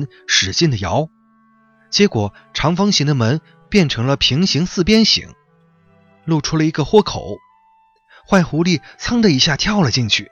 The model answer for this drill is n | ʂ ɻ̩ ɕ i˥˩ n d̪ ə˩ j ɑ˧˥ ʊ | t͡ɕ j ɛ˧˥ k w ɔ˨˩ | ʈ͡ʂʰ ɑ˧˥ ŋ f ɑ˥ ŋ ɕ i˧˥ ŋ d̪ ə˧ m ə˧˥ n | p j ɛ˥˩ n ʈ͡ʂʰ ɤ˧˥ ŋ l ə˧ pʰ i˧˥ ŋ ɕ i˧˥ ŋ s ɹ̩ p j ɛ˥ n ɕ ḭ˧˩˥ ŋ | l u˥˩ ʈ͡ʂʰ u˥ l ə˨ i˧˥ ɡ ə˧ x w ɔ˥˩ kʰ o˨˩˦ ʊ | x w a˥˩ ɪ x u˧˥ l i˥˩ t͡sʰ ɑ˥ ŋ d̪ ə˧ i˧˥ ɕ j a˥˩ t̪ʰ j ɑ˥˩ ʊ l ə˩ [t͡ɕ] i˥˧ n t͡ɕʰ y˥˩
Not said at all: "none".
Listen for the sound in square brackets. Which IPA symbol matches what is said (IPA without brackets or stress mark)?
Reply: t͡ɕ